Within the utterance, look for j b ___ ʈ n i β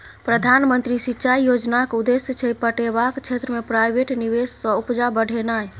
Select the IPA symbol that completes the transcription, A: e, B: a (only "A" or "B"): A